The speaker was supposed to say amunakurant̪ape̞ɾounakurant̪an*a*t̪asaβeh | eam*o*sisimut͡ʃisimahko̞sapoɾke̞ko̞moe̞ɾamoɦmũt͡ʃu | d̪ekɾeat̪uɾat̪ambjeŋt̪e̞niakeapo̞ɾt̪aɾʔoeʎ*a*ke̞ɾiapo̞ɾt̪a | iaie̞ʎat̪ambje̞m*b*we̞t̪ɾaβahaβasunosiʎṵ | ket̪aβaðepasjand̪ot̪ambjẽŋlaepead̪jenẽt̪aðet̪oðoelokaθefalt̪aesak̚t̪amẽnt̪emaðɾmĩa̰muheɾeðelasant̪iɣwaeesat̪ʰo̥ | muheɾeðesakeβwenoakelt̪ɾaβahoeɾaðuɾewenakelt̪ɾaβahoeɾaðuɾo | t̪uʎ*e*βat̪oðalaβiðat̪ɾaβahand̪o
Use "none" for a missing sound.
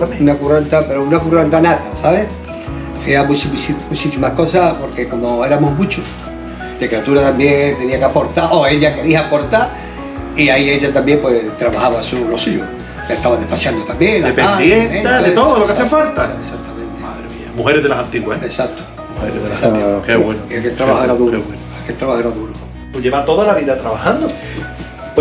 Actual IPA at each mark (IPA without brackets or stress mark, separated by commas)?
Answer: a, u, a, p, e